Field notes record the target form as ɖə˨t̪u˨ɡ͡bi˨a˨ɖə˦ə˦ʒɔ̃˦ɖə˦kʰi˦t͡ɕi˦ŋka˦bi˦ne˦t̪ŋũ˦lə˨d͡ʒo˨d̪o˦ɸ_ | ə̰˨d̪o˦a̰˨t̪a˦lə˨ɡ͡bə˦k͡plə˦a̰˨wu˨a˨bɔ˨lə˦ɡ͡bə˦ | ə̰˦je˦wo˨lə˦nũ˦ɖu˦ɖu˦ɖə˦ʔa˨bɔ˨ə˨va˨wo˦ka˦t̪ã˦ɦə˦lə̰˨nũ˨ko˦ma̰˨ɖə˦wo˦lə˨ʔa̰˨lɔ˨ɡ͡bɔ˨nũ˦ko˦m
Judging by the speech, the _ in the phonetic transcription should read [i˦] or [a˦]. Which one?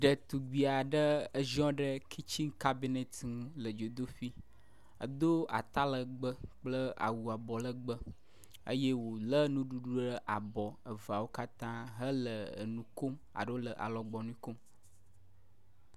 i˦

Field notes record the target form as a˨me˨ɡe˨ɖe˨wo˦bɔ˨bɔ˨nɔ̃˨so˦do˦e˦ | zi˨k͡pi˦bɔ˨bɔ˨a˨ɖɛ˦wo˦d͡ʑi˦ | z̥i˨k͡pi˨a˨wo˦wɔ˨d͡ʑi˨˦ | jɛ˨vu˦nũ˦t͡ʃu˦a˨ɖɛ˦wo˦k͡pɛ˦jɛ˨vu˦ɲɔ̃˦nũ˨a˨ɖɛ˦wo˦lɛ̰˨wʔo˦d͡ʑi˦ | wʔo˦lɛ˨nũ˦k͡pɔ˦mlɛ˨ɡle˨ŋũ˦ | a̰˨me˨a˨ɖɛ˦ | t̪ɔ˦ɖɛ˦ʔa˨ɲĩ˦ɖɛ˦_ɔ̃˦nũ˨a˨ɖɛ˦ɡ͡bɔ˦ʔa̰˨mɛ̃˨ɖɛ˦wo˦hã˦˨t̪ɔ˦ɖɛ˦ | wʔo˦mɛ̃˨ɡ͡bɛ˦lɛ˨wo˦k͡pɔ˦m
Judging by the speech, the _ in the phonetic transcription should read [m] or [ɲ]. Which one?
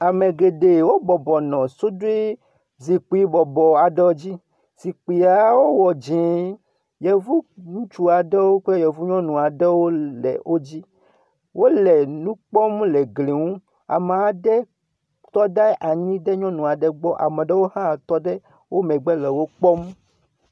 ɲ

